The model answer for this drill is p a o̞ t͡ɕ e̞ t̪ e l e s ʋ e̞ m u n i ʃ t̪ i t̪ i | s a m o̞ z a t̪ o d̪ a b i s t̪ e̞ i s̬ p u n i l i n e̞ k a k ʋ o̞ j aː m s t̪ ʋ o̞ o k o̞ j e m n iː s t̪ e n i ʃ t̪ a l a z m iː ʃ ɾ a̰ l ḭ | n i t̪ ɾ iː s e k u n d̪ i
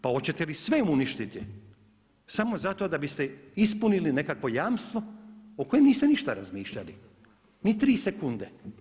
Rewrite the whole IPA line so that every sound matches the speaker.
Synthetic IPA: p a o̞ t͡ɕ e̞ t̪ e l i s ʋ e̞ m u n i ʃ t̪ i t̪ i | s a m o̞ z a t̪ o d̪ a b i s t̪ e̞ i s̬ p u n i l i n e̞ k a k ʋ o̞ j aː m s t̪ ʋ o̞ o k o̞ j e m n iː s t̪ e n i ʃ t̪ a ɾ a z m iː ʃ ʎ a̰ l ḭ | n i t̪ ɾ iː s e k u n d̪ e